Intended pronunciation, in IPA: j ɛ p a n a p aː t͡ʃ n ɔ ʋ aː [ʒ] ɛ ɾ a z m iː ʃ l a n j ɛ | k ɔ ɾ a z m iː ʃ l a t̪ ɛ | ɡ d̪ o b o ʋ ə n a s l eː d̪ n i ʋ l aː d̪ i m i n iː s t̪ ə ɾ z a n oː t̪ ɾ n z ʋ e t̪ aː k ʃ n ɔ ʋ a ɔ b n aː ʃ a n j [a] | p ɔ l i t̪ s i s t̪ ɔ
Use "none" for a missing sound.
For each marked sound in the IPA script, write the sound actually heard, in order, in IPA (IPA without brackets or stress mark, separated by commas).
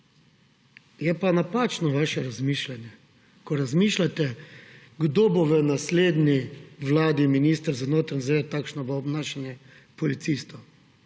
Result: ʃ, ɛ